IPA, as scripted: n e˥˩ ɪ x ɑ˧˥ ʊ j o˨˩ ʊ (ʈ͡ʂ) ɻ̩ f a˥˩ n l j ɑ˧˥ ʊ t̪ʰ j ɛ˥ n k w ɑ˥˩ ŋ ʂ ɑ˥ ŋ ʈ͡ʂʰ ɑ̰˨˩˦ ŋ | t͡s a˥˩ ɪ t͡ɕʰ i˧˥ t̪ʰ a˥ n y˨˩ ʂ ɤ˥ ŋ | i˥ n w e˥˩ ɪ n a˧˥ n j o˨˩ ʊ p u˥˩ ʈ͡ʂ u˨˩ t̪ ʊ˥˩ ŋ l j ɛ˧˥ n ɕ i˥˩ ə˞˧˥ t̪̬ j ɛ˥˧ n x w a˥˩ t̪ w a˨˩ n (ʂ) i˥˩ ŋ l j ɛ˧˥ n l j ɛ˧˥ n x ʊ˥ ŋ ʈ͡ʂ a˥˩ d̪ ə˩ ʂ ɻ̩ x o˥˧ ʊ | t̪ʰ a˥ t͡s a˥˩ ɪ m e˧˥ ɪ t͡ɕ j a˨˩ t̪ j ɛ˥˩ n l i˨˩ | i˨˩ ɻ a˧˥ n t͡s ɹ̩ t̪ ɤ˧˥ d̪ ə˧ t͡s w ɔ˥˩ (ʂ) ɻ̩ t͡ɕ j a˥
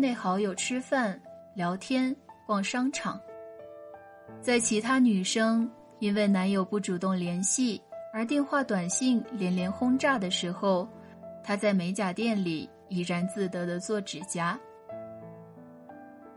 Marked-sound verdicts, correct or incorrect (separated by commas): incorrect, incorrect, incorrect